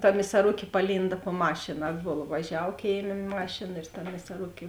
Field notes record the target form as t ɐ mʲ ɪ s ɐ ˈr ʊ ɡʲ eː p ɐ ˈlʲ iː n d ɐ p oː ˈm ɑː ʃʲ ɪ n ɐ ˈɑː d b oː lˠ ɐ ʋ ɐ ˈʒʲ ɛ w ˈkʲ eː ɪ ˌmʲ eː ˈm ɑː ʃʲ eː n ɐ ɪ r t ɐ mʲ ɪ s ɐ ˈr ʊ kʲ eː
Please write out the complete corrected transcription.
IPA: t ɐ mʲ ɪ s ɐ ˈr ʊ kʲ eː p ɐ ˈlʲ iː n d ɐ p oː ˈm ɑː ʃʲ ɪ n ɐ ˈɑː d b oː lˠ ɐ ʋ ɐ ˈʒʲ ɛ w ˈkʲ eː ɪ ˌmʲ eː ˈm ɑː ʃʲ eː n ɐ ɪ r t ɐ mʲ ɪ s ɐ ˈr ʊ kʲ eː